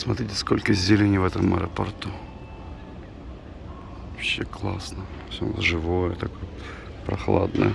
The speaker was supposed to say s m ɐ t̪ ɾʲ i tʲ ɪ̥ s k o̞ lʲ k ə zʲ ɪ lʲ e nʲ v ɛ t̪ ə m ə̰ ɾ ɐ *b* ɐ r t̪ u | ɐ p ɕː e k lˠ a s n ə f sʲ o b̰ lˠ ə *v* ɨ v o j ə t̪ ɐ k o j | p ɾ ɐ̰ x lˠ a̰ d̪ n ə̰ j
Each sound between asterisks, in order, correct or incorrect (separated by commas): incorrect, incorrect